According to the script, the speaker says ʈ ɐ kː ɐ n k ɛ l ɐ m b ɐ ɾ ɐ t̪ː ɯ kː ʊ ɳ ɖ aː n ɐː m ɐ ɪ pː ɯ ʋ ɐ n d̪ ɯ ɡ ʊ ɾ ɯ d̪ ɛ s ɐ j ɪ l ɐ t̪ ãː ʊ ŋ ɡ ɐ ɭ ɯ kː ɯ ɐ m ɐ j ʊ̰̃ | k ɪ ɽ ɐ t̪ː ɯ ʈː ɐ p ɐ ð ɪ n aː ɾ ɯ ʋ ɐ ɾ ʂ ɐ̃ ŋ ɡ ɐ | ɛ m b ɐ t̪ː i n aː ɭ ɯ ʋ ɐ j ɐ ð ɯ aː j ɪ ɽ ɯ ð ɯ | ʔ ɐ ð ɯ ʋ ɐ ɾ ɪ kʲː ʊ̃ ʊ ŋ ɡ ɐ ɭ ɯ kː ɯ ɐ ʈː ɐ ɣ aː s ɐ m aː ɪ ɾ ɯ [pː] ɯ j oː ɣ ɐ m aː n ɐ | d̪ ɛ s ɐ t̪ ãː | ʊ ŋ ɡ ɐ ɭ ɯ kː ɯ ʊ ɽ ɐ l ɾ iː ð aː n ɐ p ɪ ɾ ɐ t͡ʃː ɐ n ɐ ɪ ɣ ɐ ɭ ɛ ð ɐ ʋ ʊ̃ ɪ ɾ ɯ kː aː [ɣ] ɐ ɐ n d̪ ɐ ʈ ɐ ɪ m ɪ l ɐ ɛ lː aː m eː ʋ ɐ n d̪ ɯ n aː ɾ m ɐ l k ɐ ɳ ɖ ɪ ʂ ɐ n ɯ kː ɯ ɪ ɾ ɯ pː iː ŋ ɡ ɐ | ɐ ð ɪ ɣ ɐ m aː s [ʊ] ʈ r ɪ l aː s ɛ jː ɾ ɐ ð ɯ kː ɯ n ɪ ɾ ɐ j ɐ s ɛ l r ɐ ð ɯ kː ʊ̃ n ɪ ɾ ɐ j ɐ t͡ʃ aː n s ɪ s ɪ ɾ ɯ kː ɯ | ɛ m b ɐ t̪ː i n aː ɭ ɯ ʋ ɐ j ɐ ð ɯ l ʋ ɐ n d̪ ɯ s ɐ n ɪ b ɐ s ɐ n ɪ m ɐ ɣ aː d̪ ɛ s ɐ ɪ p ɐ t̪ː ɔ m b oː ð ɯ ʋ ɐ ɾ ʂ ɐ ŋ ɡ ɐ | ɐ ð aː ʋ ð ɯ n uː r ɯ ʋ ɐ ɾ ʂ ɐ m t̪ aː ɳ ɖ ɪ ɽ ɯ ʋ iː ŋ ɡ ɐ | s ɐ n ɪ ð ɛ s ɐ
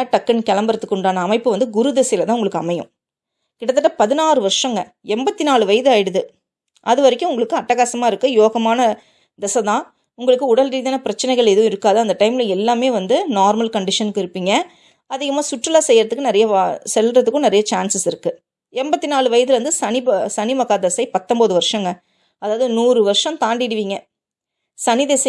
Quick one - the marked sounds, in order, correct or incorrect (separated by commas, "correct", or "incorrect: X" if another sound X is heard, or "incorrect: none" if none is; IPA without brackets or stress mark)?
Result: incorrect: kː, incorrect: ð, correct